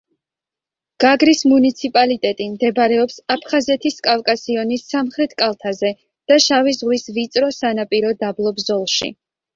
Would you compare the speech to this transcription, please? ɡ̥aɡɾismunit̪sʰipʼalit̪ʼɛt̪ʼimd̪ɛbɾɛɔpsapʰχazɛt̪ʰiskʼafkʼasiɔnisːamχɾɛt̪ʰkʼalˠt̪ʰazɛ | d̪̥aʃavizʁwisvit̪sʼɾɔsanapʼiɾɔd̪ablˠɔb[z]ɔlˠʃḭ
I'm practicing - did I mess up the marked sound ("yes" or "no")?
no